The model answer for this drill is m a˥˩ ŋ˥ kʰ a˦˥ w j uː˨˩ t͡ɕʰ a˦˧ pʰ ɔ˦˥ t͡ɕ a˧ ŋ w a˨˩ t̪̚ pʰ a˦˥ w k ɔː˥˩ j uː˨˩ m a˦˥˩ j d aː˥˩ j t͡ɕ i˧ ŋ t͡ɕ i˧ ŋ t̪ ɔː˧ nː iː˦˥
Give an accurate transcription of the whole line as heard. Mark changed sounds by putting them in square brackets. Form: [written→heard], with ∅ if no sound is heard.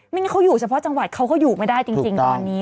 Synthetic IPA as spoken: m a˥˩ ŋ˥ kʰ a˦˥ w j uː˨˩ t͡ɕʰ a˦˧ pʰ ɔ˦˥ t͡ɕ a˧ ŋ w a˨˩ t̪̚ [pʰ→kʰ] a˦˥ w k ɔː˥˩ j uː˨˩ m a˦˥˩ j d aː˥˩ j t͡ɕ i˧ ŋ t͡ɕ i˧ ŋ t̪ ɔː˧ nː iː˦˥